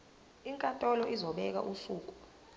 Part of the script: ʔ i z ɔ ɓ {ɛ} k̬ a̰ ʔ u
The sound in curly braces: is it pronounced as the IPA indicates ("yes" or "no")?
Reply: yes